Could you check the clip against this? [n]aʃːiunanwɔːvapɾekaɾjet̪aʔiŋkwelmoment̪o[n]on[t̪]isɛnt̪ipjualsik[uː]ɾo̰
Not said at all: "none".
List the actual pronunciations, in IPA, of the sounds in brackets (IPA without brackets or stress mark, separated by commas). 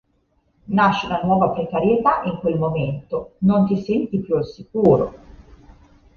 n, n, t̪, uː